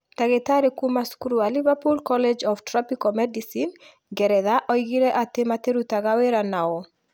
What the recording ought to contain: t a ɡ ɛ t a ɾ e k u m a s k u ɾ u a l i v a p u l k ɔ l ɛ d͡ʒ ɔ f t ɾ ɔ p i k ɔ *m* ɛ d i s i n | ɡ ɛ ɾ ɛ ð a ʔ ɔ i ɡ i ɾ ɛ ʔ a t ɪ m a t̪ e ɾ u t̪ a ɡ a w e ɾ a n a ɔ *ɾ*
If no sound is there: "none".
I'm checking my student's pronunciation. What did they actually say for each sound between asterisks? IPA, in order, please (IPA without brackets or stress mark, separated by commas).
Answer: m, none